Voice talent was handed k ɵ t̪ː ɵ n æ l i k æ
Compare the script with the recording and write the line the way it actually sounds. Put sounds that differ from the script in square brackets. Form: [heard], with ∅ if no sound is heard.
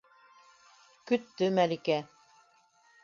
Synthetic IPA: k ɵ t̪ː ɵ [m] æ l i k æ